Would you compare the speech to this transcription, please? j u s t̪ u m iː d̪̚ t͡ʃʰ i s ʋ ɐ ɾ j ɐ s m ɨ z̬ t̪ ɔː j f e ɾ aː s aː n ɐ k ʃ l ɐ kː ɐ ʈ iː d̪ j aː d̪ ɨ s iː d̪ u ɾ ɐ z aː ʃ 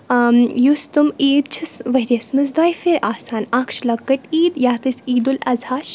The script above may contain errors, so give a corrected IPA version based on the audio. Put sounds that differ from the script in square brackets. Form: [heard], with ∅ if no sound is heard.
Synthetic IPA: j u s t̪ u m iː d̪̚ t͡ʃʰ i s ʋ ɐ ɾ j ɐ s m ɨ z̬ [d̪] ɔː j f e ɾ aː s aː n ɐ k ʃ l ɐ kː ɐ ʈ iː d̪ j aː [t̪] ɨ s iː d̪ u [l] ɐ z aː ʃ